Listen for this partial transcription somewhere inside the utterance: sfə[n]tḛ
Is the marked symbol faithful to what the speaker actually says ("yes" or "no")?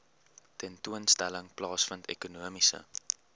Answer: yes